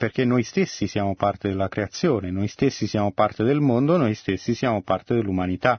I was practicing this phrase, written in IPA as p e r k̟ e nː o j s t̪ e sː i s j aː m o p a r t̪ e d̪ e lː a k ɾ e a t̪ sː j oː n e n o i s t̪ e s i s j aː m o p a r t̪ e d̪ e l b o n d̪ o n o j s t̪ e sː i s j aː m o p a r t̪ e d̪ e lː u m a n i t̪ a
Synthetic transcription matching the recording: p e r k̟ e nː o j s t̪ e sː i s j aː m o p a r t̪ e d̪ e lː a k ɾ e a t̪ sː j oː n e n o j s t̪ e sː i s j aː m o p a r t̪ e d̪ e l m o n d̪ o n o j s t̪ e sː i s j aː m o p a r t̪ e d̪ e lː u m a n i t̪ a